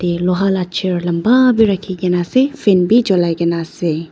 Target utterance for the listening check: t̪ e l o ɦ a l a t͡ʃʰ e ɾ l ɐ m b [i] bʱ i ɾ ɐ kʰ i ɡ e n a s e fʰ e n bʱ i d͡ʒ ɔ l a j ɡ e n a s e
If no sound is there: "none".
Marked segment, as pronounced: a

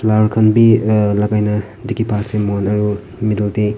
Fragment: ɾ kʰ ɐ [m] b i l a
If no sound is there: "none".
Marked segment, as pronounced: n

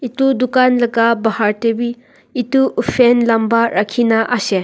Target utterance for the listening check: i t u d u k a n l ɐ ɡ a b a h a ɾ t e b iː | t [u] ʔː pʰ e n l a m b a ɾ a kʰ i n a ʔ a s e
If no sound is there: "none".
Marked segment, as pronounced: u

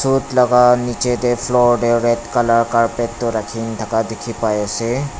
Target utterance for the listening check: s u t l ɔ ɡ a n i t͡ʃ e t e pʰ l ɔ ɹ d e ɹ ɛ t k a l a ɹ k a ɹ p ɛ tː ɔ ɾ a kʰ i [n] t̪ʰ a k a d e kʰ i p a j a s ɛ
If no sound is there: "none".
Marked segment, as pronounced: n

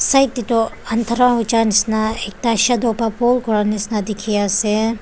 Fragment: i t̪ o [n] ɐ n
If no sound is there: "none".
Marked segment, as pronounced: none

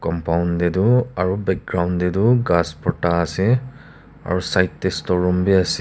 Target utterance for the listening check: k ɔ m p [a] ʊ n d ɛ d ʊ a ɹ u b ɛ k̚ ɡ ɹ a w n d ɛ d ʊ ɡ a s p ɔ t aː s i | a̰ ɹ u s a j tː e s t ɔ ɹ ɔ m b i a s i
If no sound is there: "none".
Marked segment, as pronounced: a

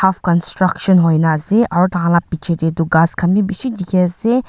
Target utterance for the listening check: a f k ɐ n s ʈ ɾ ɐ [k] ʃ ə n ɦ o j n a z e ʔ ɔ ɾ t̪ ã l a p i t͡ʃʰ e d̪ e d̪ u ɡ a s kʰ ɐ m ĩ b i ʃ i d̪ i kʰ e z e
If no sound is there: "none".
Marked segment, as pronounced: k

